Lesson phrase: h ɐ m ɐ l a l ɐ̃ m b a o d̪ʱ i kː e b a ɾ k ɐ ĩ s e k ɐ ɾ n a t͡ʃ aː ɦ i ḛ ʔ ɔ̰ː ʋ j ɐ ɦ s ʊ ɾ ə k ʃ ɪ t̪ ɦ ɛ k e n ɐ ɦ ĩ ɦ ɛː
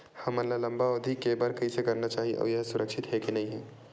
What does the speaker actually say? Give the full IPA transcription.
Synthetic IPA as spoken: h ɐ m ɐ l a l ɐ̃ m b a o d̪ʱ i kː e b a ɾ k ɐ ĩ s e k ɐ ɾ n a t͡ʃ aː ɦ i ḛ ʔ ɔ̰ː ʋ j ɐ ɦ s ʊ ɾ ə k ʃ ɪ t̪ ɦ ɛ k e n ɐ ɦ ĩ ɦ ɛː